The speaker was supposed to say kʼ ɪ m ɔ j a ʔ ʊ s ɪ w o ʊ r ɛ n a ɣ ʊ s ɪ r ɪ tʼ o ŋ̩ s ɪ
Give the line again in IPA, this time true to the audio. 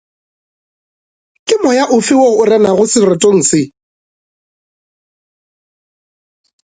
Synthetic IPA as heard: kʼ ɪ m ɔ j a ʔ ʊ f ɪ w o ʊ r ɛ n a ɣ ʊ s ɪ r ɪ tʼ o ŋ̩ s ɪ